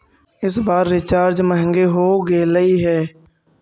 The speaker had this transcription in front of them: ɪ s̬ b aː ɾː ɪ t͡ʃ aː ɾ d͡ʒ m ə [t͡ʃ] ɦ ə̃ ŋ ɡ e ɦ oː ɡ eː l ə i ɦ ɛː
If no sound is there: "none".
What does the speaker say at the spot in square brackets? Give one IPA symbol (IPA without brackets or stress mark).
none